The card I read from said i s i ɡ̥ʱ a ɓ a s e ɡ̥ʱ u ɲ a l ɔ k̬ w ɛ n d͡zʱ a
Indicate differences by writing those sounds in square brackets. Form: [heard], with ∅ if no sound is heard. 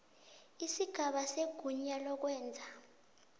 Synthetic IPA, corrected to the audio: i s i ɡ̥ʱ a ɓ a s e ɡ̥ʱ u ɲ a l ɔ k̬ w [ɛː] n d͡zʱ a